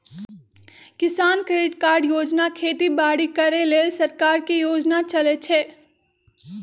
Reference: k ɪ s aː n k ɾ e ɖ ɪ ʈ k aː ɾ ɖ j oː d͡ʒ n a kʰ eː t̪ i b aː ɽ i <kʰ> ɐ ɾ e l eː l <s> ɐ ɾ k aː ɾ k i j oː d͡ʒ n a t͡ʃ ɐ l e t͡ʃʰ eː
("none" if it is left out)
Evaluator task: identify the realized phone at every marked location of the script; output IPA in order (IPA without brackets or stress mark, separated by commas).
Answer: k, s